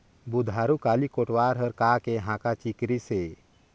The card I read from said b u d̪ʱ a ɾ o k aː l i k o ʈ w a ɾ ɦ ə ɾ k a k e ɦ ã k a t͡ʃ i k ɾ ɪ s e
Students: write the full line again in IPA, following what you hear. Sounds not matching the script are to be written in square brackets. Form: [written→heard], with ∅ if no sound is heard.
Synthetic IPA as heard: b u d̪ʱ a ɾ [o→u] k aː l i k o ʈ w a ɾ ɦ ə ɾ k a k e ɦ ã k a t͡ʃ i k ɾ [ɪ→i] s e